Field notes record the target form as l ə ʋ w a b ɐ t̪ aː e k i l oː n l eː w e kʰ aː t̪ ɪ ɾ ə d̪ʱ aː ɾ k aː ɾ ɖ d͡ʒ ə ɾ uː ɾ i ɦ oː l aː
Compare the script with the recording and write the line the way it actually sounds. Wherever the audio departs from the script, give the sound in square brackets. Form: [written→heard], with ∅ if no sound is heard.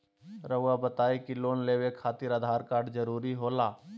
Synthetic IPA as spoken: [l→ɾ] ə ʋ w a b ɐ t̪ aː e k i l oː n l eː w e kʰ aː t̪ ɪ ɾ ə d̪ʱ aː ɾ k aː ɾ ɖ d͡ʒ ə ɾ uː ɾ i ɦ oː l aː